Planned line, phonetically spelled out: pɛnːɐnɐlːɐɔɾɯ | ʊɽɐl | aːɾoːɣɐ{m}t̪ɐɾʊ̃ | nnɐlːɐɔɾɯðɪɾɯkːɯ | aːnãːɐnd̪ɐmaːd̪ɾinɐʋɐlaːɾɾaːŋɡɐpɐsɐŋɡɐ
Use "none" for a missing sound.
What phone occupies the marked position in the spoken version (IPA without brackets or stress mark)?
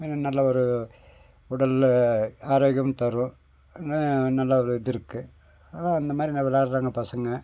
m